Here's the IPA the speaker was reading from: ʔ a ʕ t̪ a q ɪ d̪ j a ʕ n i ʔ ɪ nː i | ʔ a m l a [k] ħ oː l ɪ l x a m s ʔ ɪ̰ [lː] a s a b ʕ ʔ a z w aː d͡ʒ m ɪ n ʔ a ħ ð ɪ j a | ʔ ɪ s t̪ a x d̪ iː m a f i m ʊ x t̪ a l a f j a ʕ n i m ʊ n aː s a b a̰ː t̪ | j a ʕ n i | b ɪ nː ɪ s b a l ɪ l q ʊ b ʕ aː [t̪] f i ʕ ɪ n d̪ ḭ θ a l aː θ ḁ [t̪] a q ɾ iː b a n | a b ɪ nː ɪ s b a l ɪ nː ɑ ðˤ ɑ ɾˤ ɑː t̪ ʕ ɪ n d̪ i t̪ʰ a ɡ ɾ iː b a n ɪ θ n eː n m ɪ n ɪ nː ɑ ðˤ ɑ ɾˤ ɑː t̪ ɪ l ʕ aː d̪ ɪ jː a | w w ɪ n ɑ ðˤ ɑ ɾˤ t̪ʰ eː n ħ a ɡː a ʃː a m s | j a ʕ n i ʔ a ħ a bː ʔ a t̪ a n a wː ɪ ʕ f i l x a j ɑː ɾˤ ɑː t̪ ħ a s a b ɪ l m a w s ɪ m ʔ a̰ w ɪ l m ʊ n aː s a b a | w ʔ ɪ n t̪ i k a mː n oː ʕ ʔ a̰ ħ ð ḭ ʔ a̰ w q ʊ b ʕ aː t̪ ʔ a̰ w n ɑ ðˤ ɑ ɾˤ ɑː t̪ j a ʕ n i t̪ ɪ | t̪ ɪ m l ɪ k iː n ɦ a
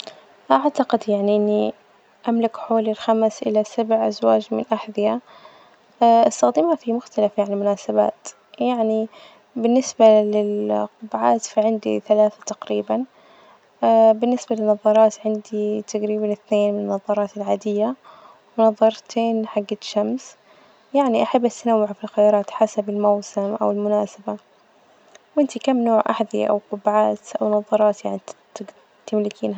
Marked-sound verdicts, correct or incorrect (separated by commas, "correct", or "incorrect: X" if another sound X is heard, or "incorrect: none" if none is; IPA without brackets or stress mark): correct, incorrect: l, correct, correct